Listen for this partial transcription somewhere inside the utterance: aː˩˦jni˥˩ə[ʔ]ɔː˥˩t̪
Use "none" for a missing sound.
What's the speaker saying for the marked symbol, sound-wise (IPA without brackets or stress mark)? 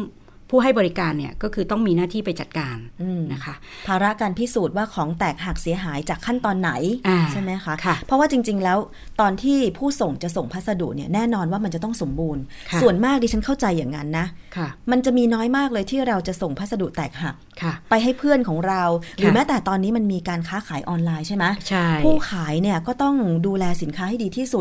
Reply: k